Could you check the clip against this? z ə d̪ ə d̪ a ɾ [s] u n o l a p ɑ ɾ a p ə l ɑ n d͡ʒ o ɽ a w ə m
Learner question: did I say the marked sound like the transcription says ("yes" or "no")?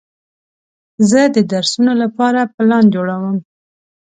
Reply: yes